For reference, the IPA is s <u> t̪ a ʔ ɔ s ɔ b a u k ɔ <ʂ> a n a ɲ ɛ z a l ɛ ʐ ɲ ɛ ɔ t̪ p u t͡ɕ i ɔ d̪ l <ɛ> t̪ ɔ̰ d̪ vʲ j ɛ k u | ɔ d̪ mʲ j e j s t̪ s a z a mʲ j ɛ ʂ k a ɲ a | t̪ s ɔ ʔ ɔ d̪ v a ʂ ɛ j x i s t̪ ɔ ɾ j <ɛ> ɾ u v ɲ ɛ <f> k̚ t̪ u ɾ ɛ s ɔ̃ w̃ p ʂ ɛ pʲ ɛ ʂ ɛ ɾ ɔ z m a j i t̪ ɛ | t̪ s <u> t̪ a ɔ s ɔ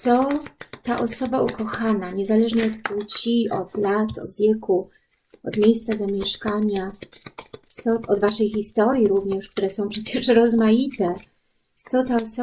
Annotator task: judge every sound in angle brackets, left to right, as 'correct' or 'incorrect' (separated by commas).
incorrect, incorrect, incorrect, incorrect, incorrect, incorrect